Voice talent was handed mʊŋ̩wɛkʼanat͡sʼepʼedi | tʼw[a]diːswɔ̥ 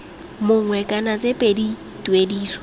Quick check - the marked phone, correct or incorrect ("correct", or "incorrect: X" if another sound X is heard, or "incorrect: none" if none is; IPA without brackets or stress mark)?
incorrect: e